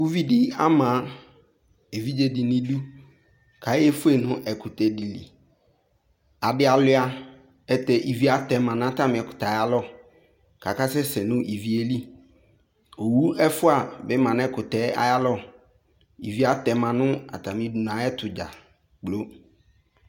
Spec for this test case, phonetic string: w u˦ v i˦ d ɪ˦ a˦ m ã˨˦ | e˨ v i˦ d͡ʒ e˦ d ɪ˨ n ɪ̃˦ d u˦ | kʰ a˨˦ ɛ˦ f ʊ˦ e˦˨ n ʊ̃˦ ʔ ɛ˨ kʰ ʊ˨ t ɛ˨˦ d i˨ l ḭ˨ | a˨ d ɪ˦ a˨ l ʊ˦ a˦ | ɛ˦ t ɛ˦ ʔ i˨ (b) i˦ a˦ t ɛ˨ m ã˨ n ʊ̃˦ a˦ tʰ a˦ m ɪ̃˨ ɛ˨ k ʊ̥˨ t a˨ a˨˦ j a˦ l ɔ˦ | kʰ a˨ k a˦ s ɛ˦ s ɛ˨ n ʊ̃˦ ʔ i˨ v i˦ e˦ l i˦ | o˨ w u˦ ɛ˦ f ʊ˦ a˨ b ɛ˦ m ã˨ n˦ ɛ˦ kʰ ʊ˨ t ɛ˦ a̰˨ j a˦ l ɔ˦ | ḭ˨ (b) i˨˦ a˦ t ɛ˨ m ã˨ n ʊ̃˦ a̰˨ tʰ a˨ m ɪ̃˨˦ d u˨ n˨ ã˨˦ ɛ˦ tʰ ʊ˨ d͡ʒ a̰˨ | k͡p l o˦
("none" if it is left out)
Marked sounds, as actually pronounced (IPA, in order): v, v

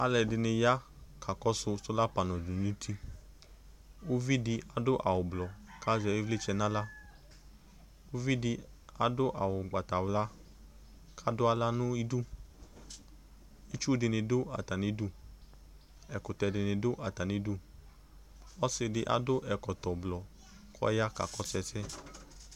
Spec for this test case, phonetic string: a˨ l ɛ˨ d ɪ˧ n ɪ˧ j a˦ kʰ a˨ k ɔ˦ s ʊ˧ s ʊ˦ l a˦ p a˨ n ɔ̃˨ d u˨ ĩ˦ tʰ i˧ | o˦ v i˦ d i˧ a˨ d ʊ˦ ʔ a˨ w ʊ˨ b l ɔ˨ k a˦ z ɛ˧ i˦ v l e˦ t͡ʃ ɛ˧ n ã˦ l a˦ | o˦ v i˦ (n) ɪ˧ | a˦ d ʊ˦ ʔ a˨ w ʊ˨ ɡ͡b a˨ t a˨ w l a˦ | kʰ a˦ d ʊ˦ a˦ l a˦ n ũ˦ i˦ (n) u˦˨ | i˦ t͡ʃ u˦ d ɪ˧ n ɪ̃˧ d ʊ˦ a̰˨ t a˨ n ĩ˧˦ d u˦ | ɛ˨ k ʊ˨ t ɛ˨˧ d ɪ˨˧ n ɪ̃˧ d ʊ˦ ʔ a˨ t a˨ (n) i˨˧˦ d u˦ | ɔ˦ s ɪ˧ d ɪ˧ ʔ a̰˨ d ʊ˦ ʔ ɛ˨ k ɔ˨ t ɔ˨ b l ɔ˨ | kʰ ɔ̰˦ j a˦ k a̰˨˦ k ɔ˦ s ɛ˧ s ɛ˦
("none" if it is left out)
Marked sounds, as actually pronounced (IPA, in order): d, d, n

